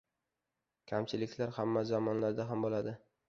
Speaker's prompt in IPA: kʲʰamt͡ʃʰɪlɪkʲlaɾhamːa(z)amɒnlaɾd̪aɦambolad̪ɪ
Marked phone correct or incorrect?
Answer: correct